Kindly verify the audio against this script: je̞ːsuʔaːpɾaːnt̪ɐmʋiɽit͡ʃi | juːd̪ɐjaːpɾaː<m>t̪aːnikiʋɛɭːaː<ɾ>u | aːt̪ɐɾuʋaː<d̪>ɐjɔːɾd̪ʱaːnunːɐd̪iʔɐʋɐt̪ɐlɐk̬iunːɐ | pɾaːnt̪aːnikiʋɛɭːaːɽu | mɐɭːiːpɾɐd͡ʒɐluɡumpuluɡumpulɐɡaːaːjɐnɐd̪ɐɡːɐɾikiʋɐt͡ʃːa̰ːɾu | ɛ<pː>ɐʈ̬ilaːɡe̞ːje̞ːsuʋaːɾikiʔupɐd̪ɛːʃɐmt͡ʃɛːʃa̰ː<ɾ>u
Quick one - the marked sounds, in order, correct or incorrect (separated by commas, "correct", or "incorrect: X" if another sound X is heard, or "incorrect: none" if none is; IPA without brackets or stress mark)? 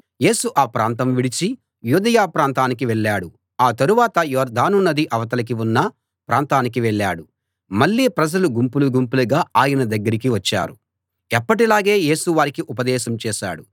incorrect: n, incorrect: ɽ, incorrect: t̪, correct, incorrect: ɽ